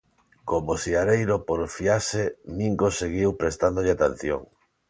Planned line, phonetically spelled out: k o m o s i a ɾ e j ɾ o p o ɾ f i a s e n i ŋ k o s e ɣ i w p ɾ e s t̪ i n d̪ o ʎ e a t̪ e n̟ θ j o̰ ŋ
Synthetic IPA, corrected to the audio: k o m o s i a ɾ e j ɾ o p o ɾ f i a s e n i ŋ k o s e ɣ i w p ɾ e s t̪ a n d̪ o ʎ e a t̪ e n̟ θ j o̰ ŋ